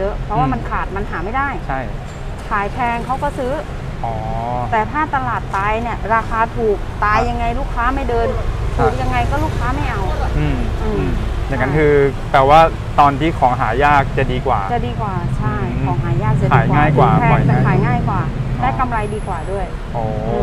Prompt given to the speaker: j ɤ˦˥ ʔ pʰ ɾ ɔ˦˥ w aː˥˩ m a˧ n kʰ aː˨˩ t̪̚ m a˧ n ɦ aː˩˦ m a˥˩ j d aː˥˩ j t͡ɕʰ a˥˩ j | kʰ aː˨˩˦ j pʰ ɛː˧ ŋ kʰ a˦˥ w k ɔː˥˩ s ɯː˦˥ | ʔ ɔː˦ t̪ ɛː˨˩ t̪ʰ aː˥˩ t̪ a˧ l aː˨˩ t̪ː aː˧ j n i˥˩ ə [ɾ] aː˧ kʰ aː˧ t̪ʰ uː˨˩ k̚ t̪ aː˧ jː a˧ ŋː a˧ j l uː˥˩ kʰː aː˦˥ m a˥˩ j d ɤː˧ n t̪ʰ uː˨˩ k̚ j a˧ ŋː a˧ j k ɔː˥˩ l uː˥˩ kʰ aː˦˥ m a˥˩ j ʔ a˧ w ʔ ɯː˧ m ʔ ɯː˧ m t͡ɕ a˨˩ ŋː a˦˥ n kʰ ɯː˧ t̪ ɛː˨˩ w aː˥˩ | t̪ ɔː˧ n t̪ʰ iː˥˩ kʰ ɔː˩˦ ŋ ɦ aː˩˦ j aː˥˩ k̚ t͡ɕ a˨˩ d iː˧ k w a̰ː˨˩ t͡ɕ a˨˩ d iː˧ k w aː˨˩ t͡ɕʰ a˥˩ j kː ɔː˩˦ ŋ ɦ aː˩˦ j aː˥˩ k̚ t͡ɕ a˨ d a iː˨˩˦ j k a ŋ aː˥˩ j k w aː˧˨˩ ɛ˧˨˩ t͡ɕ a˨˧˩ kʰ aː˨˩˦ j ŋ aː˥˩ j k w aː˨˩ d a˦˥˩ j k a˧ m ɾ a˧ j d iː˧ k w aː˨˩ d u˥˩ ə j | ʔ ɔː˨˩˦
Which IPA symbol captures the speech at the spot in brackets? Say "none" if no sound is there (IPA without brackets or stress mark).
ɾ